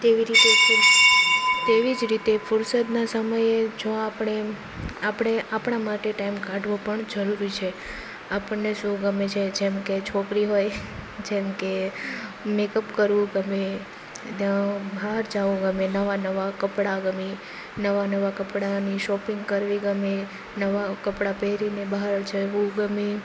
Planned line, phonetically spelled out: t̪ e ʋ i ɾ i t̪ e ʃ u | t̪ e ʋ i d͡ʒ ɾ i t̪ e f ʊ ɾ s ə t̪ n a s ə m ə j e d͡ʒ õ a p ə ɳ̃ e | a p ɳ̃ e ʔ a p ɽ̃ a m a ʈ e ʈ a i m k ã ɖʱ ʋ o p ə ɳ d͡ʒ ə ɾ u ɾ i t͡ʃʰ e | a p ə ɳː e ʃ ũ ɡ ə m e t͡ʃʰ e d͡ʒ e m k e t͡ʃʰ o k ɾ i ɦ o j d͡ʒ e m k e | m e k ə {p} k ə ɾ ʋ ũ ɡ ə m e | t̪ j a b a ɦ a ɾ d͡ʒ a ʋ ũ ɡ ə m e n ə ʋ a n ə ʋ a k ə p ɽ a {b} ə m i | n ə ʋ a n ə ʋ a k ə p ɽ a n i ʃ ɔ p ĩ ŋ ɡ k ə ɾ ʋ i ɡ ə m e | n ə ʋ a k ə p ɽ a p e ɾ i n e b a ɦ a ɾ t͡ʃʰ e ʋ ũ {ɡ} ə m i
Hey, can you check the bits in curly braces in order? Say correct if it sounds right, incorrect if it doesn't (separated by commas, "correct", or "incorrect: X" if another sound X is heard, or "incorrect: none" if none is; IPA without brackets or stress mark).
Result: correct, incorrect: ɡ, correct